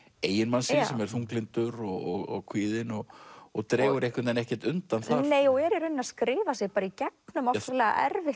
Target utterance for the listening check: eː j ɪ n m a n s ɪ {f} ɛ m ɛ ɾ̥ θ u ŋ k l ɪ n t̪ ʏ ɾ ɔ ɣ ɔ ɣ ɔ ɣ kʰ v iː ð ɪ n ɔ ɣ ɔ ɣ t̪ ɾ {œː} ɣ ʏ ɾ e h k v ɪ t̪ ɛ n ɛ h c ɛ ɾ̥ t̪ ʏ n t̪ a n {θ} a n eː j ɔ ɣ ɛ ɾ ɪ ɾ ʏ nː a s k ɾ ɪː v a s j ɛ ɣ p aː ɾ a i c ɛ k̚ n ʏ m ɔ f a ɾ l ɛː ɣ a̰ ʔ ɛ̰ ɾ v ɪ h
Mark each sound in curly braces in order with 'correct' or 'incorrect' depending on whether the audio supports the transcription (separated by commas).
incorrect, incorrect, correct